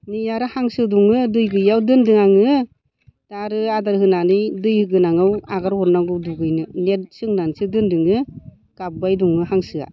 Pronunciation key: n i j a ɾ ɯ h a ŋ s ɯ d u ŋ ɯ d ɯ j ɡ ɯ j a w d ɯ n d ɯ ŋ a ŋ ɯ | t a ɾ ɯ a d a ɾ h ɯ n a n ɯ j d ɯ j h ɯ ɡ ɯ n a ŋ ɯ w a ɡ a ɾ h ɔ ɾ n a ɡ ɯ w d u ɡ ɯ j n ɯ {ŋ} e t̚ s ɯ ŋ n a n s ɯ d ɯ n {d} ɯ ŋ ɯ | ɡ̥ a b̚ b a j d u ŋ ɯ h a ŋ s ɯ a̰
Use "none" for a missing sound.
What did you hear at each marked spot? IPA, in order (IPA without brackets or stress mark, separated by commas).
n, d